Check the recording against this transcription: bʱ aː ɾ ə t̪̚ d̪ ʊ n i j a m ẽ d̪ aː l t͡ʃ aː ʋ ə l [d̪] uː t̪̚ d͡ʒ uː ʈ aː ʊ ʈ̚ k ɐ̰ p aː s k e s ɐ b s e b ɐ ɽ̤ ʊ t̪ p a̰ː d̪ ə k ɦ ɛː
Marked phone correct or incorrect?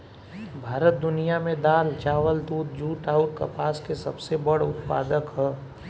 correct